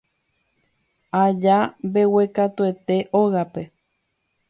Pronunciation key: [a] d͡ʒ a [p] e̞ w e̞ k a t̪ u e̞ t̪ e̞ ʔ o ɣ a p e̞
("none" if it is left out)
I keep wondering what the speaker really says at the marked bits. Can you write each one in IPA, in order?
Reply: a, b

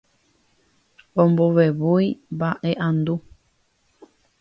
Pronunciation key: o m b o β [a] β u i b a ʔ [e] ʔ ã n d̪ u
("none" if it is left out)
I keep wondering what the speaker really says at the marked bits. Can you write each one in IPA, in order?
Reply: e, e

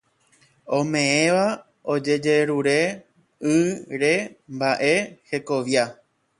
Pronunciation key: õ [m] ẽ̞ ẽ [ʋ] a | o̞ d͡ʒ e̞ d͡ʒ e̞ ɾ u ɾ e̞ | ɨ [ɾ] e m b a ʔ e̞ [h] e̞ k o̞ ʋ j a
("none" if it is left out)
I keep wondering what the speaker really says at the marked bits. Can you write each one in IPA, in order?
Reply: m, ʋ, ɾ, h

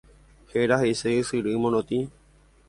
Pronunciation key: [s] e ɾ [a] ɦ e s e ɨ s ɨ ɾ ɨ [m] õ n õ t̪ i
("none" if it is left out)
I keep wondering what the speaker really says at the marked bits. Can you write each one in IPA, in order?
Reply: h, a, m

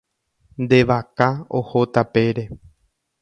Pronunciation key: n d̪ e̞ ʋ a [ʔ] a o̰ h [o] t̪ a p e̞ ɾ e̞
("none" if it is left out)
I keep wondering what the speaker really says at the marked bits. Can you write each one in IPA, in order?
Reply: k, o

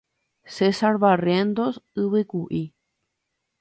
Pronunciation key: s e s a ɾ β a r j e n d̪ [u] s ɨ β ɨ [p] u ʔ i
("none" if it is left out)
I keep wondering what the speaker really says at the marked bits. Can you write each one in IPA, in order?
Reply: o, k

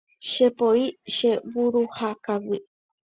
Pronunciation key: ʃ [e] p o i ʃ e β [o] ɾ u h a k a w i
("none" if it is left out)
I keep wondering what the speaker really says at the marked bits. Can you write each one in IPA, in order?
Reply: e, u

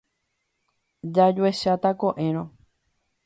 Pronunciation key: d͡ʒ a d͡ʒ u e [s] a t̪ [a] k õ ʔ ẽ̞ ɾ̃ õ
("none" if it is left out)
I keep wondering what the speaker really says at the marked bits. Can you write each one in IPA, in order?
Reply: ʃ, a

